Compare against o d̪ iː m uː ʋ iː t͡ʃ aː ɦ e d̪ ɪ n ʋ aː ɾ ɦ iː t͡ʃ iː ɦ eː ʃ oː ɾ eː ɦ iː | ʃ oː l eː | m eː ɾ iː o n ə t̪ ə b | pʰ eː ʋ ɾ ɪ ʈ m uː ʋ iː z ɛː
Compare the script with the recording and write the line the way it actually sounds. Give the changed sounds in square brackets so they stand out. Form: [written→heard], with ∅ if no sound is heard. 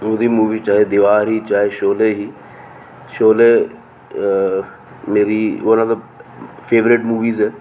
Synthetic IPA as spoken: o d̪ iː m uː ʋ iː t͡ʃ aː ɦ e d̪ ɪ [n→∅] ʋ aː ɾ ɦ iː t͡ʃ [iː→aː] ɦ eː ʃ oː [ɾ→l] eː ɦ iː | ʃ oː l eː | m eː ɾ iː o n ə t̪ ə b | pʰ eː ʋ ɾ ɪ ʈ m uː ʋ iː z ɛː